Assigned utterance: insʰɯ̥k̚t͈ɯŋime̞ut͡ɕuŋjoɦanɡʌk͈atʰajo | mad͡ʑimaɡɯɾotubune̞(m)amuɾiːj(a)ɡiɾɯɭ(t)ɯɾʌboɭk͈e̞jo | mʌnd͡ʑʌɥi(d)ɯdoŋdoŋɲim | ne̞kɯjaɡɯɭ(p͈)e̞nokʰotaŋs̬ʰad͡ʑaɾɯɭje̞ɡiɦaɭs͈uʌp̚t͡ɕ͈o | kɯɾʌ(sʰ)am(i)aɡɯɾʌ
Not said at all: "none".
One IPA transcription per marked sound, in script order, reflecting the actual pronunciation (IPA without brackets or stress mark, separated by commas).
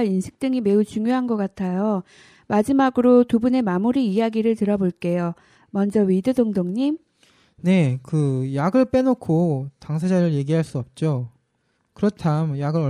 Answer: m, a, t, d, p͈, tʰ, j